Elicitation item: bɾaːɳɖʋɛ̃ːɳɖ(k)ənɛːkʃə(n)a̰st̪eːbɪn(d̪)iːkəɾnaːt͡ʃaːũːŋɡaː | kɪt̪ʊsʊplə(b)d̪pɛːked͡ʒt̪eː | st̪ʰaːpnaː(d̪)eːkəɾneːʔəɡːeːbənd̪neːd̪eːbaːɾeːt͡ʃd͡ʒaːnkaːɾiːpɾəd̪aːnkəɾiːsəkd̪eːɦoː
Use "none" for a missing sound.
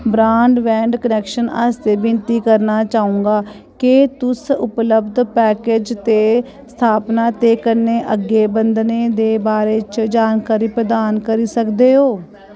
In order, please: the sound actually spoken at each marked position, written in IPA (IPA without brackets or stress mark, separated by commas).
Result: k, n, t̪, b, t̪